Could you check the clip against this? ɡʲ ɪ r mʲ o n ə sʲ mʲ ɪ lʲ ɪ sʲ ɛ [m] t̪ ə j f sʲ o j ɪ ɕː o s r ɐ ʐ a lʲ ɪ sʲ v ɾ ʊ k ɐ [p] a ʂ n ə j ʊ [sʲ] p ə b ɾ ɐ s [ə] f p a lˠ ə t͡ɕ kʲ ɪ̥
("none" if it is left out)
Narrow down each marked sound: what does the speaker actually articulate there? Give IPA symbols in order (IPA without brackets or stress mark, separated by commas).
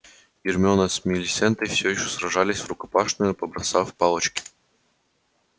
n, p, none, a